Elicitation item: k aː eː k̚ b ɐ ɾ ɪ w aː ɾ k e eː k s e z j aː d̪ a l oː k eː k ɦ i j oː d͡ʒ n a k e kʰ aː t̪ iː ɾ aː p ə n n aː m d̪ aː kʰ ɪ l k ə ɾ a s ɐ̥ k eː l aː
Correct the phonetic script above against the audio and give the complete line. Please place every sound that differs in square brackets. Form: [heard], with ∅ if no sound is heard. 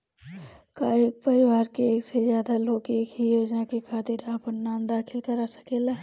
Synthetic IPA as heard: k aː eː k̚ [p] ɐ ɾ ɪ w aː ɾ k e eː k s e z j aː d̪ a l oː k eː k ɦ i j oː d͡ʒ n a k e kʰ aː t̪ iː ɾ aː p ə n n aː m d̪ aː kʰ ɪ l k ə ɾ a s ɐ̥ k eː l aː